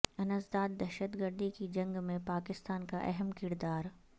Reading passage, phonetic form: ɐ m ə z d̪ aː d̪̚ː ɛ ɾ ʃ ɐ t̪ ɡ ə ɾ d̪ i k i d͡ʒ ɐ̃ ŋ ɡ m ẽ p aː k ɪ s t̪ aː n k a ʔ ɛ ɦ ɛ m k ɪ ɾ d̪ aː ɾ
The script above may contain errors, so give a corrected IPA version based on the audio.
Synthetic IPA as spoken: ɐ n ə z d̪ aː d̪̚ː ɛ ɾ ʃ ə t̪ ɡ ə ɾ d̪ i k i d͡ʒ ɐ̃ ŋ ɡ m ẽ p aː k ɪ s t̪ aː n k a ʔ ɛ ɦ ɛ m k ɪ ɾ d̪ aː ɾ